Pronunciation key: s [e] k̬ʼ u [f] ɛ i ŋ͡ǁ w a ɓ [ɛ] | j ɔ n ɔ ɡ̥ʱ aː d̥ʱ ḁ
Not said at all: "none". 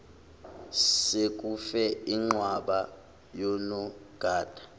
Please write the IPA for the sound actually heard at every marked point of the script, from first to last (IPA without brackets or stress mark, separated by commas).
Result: e, f, a